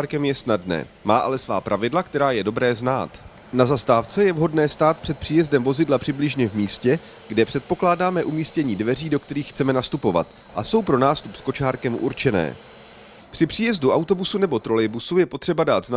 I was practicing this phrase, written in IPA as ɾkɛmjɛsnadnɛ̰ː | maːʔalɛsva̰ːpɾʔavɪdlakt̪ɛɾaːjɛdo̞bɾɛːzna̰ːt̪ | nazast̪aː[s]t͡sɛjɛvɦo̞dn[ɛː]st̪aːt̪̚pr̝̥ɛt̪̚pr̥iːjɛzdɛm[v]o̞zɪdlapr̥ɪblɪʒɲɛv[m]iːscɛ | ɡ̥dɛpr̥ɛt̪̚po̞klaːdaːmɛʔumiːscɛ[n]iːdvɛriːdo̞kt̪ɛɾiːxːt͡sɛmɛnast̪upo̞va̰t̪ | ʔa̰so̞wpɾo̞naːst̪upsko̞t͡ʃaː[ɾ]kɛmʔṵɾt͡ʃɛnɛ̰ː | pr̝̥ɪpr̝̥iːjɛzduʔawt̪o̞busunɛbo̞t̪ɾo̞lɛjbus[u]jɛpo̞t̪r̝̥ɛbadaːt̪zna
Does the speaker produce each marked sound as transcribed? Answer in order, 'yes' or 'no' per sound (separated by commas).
no, yes, yes, yes, no, yes, yes